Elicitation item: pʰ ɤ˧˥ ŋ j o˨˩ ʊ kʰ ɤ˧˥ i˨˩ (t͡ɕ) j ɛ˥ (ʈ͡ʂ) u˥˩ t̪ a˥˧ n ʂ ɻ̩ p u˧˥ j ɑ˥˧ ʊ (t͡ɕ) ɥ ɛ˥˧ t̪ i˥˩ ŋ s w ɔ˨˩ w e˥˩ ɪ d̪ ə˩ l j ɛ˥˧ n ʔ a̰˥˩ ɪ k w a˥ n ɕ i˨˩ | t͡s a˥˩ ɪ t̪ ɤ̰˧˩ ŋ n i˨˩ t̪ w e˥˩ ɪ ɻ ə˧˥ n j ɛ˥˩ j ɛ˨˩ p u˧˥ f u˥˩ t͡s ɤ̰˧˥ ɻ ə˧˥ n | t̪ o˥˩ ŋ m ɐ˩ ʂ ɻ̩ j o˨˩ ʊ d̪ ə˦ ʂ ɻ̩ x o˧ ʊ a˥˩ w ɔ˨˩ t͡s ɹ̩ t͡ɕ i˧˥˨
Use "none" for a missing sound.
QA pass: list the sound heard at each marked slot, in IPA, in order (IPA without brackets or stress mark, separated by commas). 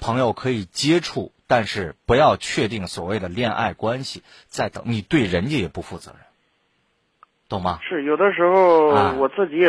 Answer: t͡ɕ, ʈ͡ʂʰ, t͡ɕʰ